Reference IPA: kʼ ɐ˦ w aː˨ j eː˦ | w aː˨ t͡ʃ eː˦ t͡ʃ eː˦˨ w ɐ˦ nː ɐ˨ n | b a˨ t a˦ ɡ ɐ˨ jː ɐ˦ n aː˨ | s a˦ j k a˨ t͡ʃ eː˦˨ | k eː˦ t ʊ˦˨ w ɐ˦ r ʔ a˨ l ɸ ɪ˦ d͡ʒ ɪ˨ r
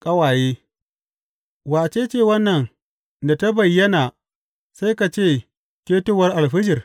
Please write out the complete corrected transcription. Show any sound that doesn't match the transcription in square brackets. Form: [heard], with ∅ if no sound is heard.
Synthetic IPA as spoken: kʼ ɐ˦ w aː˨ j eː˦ | w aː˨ t͡ʃ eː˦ t͡ʃ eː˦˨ w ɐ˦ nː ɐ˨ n | [d] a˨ t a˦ [b] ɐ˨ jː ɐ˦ n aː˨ | s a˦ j k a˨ t͡ʃ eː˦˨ | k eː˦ t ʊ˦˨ w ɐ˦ r ʔ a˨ l ɸ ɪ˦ d͡ʒ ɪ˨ r